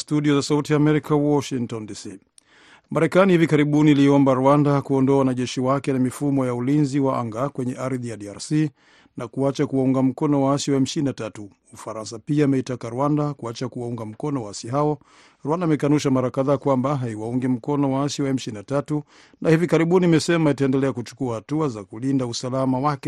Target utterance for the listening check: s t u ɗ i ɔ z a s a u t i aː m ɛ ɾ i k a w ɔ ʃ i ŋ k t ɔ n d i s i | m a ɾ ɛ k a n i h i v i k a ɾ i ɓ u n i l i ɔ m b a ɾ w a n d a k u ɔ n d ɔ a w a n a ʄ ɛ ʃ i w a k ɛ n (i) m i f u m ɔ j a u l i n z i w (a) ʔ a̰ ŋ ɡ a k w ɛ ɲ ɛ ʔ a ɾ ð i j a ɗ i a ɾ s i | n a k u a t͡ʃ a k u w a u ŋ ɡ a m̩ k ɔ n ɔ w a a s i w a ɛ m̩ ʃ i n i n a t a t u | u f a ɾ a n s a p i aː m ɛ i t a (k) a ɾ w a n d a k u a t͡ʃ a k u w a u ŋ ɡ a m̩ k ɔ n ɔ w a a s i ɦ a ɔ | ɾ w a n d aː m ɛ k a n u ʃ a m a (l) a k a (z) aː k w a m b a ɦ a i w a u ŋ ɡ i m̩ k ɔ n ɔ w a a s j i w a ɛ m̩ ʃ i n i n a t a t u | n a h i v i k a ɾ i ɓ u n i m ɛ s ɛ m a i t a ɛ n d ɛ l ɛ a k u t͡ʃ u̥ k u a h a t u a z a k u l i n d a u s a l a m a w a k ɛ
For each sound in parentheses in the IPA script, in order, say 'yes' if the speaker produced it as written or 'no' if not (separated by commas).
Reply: no, yes, yes, no, no